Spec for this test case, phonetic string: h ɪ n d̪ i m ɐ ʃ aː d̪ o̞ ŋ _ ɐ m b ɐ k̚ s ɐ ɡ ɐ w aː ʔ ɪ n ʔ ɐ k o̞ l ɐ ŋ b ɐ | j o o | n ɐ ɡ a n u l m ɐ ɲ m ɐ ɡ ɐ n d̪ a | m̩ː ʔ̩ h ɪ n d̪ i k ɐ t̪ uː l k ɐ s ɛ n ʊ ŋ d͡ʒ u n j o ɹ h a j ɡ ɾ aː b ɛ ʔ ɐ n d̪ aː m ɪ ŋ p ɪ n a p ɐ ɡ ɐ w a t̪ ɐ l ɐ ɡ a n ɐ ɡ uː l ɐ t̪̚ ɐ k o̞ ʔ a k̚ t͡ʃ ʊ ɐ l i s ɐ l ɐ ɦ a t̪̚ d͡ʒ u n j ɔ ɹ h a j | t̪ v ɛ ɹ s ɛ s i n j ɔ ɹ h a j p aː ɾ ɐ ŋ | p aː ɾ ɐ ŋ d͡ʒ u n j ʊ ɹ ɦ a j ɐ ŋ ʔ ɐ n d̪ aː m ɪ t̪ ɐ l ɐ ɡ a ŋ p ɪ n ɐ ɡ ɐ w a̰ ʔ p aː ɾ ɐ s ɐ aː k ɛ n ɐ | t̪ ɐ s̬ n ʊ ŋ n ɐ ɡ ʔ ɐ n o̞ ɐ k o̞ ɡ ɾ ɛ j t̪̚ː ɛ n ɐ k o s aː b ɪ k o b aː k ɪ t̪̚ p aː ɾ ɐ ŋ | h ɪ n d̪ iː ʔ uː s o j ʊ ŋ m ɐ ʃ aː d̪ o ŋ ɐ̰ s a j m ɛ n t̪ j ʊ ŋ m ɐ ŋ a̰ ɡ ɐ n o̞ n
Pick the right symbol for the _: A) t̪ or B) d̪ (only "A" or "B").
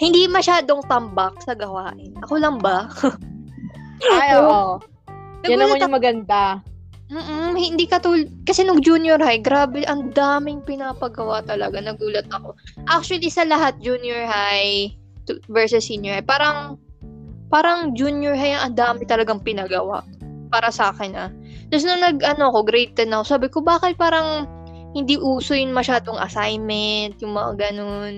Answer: A